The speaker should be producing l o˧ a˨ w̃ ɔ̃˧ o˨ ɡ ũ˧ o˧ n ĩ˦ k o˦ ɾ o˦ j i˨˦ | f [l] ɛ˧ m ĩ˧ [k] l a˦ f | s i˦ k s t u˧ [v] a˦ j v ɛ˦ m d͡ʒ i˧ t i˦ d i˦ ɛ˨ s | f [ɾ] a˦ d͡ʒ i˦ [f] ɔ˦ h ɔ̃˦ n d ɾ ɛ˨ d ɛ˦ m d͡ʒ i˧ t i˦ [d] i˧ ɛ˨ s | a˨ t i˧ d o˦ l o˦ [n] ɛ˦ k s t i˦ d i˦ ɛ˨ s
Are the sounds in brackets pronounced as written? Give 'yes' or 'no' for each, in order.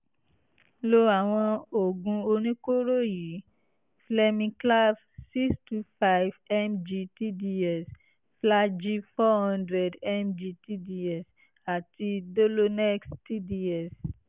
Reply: yes, yes, no, no, yes, yes, yes

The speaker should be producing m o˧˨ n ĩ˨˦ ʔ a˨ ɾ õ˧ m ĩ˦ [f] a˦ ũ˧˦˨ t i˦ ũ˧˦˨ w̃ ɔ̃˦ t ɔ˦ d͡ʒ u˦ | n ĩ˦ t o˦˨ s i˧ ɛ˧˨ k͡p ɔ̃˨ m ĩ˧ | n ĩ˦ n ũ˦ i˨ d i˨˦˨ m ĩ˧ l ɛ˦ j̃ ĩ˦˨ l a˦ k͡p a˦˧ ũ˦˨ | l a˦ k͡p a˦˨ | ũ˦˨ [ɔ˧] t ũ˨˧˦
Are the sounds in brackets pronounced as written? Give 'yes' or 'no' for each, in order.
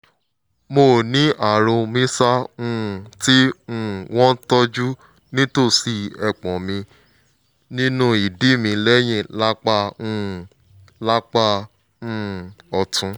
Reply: no, yes

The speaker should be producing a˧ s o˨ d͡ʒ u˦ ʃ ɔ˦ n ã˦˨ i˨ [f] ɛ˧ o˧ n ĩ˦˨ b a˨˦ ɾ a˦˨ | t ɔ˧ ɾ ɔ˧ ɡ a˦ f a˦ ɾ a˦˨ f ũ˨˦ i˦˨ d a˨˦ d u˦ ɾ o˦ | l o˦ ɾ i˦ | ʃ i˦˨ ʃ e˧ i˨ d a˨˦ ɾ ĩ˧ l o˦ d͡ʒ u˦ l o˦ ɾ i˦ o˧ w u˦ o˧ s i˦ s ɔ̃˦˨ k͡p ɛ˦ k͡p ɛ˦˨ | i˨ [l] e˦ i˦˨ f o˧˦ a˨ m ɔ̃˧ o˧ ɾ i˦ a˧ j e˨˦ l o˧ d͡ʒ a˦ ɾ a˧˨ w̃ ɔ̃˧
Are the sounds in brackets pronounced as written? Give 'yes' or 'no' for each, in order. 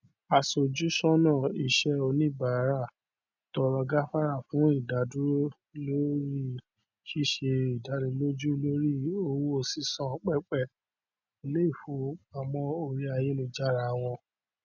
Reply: no, yes

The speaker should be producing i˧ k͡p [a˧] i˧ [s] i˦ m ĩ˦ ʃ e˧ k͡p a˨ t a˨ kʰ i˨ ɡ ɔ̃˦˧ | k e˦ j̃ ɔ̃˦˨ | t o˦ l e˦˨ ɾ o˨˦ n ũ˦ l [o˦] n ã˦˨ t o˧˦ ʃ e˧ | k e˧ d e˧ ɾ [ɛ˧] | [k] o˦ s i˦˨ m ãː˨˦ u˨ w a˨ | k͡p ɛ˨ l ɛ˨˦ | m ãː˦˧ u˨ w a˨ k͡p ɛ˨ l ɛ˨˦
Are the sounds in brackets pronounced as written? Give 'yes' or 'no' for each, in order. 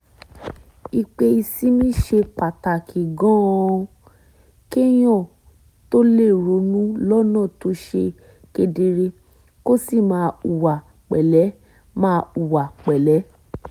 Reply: no, yes, no, no, yes

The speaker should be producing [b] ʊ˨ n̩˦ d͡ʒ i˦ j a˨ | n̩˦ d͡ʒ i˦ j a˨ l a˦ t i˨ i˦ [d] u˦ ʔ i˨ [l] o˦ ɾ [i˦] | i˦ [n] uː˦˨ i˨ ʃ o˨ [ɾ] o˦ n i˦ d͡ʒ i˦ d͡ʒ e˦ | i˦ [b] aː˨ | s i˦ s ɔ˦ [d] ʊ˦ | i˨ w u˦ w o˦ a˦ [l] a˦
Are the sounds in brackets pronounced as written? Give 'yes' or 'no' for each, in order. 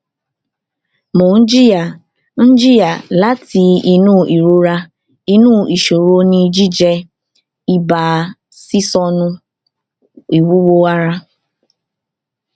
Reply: no, no, no, no, yes, yes, yes, no, no

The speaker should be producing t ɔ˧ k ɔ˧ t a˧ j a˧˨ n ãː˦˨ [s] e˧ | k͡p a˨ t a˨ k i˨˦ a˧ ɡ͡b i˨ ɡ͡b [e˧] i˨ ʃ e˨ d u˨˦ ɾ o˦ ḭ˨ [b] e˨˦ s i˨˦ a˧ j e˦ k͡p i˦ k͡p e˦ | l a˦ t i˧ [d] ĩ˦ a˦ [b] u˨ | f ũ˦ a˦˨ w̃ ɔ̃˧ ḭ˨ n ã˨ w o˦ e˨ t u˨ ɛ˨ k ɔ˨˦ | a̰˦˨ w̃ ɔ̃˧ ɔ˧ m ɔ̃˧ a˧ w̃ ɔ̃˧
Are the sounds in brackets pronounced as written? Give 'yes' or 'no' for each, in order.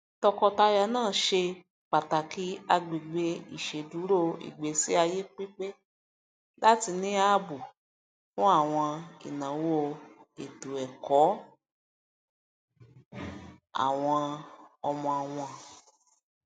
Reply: no, yes, no, no, yes

